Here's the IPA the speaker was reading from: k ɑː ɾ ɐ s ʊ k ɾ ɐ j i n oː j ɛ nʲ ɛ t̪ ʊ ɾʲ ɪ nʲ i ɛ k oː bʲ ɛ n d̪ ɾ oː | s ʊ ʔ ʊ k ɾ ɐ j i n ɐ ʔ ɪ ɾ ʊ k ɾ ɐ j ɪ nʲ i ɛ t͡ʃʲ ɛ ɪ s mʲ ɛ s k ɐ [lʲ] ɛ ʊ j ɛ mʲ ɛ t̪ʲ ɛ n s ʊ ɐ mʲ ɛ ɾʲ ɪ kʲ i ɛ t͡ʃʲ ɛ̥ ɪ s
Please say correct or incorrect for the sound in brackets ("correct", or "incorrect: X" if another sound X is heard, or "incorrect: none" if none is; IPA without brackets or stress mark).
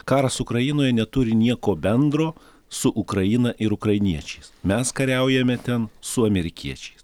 incorrect: ɾʲ